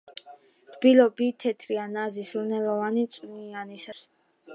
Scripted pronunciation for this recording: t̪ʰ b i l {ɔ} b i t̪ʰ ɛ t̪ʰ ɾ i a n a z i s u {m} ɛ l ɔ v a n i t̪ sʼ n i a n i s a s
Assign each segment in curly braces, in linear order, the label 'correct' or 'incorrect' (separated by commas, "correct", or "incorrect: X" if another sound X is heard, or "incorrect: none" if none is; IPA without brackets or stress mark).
correct, incorrect: n